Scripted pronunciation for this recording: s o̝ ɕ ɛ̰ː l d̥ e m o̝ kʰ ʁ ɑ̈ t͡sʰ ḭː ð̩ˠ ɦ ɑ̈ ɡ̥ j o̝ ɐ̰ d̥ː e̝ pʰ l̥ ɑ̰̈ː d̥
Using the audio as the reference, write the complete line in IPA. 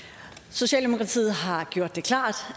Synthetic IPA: s o̝ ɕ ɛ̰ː l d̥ e m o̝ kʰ ʁ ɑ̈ t͡sʰ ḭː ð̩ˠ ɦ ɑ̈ ɡ̥ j o̝ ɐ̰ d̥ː e̝ kʰ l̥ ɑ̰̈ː d̥

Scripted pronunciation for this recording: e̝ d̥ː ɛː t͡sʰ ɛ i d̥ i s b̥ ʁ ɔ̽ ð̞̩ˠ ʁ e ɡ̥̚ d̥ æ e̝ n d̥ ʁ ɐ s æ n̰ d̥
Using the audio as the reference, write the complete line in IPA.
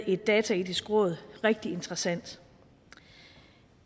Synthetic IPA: e̝ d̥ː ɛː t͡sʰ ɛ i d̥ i s ɡ̥ ʁ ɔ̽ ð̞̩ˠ ʁ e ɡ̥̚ d̥ i e̝ n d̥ ʁ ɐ s æ n̰ d̥

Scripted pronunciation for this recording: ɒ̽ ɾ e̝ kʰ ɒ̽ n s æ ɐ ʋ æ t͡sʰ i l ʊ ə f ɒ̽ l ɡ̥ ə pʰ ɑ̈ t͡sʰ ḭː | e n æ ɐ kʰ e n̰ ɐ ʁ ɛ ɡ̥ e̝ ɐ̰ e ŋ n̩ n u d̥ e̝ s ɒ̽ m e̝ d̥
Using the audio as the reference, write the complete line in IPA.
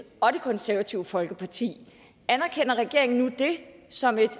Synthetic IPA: ɒ̽ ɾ e̝ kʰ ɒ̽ n s æ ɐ ʋ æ t͡sʰ i ʊ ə f ɒ̽ l ɡ̥ ə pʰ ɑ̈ t͡sʰ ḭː | æ n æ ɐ kʰ e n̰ ɐ ʁ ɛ ɡ̥ e̝ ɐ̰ e ŋ n̩ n u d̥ e̝ s ɒ̽ m e̝ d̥

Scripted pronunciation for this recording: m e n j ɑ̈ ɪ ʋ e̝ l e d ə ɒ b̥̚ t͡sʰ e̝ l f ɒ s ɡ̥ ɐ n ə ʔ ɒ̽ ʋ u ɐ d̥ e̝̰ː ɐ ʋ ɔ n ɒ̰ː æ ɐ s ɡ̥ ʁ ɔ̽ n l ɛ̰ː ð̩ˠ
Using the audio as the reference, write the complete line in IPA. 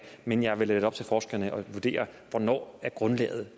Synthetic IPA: m e n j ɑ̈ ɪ ʋ e̝ l e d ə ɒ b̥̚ t͡sʰ e̝ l f ɒː s ɡ̥ ɐ n ə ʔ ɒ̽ ʋ u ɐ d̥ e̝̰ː ɐ ʋ ɒ n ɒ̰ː æ ɐ ɡ̥ ʁ ɔ̽ n l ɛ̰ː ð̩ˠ

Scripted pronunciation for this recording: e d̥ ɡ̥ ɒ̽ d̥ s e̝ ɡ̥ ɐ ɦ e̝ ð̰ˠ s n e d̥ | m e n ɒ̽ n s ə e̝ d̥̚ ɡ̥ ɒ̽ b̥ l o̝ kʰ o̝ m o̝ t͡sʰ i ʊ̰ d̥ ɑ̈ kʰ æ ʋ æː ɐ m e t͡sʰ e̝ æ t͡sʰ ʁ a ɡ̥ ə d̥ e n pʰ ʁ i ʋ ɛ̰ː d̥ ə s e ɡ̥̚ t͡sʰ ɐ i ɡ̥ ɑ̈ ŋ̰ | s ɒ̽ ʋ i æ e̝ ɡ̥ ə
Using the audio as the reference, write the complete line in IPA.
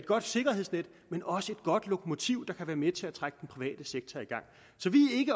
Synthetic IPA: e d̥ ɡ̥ ɒ̽ d̥ s e̝ ɡ̥ ɐ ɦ e̝ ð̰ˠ s n e d̥ | m e n ɒ̽ s ə e̝ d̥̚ ɡ̥ ɒ̽ d̥ l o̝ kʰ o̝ m o̝ t͡sʰ i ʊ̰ d̥ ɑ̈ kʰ æ ʋ æː ɐ m e t͡sʰ e̝ æ t͡sʰ ʁ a ɡ̥ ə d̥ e n pʰ ʁ i ʋ ɛ̰ː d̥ ə s e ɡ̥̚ t͡sʰ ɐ i ɡ̥ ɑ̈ ŋ̰ | s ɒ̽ ʋ i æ e̝ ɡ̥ ə

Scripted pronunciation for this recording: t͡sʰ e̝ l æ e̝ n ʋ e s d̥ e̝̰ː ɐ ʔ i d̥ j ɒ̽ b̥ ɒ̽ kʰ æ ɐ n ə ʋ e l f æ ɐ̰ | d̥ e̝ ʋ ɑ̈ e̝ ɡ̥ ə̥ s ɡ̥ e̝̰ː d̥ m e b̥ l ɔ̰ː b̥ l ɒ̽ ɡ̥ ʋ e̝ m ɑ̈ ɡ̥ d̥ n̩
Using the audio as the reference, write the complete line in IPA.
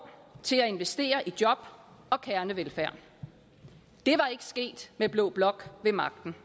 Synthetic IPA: t͡sʰ e̝ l æ e̝ n ʋ e s d̥ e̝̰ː ɐ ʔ i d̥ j ɒ̽ b̥ ɒ̽ kʰ æ ɐ n ə ʋ e l f æ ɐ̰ | d̥ e̝ ʋ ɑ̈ e̝ ɡ̥ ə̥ s ɡ̥ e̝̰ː d̥ m e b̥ l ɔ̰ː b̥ l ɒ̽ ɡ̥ ʋ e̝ m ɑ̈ ɡ̥ d̥ n̩

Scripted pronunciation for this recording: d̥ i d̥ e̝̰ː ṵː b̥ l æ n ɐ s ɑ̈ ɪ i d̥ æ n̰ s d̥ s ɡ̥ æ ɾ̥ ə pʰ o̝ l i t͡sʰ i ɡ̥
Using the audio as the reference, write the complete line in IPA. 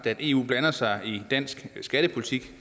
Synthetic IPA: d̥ æ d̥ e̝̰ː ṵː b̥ l æ n ɐ s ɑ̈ ɪ i d̥ æ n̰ s ɡ̥ s ɡ̥ æ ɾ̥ ə pʰ o̝ l i t͡sʰ i ɡ̥

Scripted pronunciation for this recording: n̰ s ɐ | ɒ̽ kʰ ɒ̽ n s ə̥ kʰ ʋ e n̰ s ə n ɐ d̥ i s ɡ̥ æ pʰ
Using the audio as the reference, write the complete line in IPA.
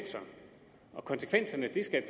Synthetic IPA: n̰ s ɐ | ɒ̽ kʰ ɒ̽ n s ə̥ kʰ ʋ e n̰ s ɐ n ə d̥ i s ɡ̥ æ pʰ

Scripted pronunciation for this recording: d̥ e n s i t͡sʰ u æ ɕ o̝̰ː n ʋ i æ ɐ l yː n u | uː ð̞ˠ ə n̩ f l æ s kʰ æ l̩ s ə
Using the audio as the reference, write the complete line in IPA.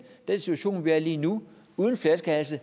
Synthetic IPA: d̥ e n s i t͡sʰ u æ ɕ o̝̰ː n ʋ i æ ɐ l iː n u | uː ð̞ˠ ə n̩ f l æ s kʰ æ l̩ s ə

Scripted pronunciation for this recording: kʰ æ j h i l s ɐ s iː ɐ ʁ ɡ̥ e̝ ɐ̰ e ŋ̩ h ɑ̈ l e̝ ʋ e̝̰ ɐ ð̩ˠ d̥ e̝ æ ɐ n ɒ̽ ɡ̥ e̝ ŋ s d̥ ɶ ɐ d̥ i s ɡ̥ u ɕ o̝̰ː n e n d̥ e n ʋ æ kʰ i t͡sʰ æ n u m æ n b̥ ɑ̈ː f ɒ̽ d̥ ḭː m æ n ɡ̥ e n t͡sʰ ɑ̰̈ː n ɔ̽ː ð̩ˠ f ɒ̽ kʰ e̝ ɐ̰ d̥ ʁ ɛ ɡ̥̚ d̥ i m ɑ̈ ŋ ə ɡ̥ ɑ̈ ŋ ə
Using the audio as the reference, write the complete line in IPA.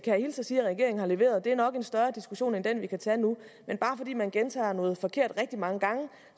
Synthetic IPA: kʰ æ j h i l s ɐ s iː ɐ ʁ ɡ̥ e̝ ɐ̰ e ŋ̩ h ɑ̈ l e̝ ʋ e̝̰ ɐ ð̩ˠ d̥ e̝ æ ɐ n ɒ̽ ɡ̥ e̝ n s d̥ ɶ ɐ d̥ i s ɡ̥ u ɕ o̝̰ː n e n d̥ e n ʋ i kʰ æ t͡sʰ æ n u m e n b̥ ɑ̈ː f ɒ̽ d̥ ḭː m æ n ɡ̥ e n t͡sʰ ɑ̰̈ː n ɔ̽ː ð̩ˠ f ɒ̽ kʰ e̝ ɐ̰ d̥ ʁ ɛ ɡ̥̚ d̥ i m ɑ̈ ŋ ə ɡ̥ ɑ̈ ŋ ə

